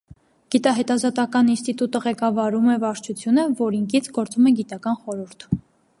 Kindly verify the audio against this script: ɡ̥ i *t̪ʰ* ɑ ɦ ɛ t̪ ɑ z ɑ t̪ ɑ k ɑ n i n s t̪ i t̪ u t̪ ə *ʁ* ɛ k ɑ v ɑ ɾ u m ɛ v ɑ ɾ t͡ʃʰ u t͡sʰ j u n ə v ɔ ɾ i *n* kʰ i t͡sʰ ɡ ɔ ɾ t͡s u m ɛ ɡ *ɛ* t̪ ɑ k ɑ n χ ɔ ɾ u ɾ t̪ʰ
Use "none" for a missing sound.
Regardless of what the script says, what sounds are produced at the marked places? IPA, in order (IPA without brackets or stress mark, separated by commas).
t̪, ʁ, ŋ, i